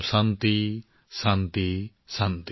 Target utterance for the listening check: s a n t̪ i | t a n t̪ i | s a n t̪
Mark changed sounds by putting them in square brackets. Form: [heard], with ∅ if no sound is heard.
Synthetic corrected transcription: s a n t̪ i | [s] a n t̪ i | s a n t̪